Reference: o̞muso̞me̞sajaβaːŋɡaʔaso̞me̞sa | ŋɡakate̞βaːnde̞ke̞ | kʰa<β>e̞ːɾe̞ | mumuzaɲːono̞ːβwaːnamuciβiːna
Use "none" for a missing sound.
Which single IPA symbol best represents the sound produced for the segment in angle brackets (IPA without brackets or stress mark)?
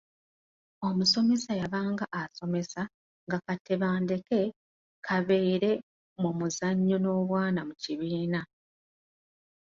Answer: β